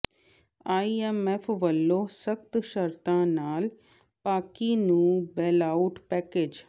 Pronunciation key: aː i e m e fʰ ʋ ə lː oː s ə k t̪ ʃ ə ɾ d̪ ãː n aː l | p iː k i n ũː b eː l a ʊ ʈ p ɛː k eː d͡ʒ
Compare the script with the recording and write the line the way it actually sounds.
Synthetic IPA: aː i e m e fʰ ʋ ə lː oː s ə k t̪ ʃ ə ɾ t̪ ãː n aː l | p aː k i n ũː b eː l a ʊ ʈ p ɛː k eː d͡ʒ